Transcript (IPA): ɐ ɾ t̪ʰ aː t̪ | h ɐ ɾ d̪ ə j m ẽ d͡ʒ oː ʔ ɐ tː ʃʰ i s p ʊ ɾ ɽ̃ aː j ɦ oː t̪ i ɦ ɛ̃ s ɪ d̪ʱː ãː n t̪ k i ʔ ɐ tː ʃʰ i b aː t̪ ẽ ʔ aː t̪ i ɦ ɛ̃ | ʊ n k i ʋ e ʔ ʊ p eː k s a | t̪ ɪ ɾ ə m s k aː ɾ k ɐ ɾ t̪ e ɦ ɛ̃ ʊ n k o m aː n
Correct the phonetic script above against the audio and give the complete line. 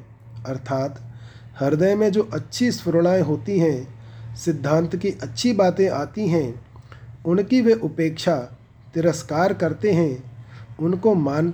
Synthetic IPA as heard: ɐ ɾ t̪ʰ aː t̪ | h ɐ ɾ d̪ ə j m ẽ d͡ʒ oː ʔ ɐ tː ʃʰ i s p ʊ ɾ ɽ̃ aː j ɦ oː t̪ i ɦ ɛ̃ s ɪ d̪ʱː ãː n t̪ k i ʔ ɐ tː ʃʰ i b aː t̪ ẽ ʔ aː t̪ i ɦ ɛ̃ | ʊ n k i ʋ e ʔ ʊ p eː k ʃ a | t̪ ɪ ɾ ə s k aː ɾ k ɐ ɾ t̪ e ɦ ɛ̃ ʊ n k o m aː n